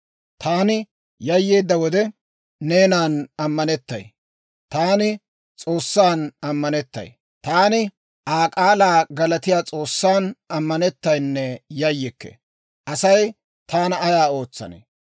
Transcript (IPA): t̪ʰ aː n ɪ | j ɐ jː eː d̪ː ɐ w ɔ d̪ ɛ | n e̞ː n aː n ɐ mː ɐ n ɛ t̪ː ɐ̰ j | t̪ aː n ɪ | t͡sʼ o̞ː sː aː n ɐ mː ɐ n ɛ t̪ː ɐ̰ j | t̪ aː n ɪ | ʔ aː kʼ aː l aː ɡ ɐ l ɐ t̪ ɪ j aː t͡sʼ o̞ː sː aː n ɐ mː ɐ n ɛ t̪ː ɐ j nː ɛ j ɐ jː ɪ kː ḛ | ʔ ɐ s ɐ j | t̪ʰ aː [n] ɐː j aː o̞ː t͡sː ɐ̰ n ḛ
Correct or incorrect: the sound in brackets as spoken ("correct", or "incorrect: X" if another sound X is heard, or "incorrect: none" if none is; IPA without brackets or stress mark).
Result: correct